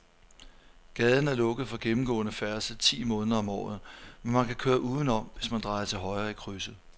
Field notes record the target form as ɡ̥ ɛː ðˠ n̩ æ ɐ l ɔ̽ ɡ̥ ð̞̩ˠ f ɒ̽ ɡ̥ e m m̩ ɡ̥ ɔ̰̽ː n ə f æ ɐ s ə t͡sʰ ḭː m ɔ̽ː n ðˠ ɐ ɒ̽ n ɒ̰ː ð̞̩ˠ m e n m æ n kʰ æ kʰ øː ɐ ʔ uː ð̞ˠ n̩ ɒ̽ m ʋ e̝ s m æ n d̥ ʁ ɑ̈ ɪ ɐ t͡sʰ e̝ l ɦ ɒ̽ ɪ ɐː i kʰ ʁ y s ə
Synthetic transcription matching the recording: ɡ̥ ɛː ðˠ n̩ æ ɐ l ɔ̽ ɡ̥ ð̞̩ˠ f ɒ̽ ɡ̥ e m m̩ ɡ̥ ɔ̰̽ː n ə f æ ɐ s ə t͡sʰ ḭː m ɔ̽ː n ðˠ ɐ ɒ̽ m ɒ̰ː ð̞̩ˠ m e n m æ n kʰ æ kʰ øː ɐ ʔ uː ð̞ˠ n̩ ɒ̽ m ʋ e̝ s m æ n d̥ ʁ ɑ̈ ɪ ɐ t͡sʰ e̝ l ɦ ɒ̽ ɪ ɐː i kʰ ʁ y s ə